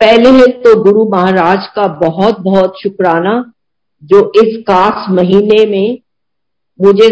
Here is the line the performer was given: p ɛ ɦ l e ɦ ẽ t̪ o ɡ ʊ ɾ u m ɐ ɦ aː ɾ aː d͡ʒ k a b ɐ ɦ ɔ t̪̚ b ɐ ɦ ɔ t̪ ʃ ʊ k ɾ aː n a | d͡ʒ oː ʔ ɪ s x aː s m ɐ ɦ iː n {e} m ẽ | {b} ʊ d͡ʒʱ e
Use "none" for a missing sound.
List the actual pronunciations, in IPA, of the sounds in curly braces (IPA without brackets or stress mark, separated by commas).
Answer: e, m